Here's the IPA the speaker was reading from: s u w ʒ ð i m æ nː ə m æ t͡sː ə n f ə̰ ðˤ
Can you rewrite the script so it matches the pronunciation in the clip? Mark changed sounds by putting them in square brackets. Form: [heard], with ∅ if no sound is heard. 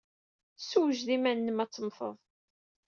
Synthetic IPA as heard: s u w ʒ ð i m æ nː ə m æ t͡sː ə [m] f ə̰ ðˤ